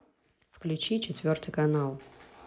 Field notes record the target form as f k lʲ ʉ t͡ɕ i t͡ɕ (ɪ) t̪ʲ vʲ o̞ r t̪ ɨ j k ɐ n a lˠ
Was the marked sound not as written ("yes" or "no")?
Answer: no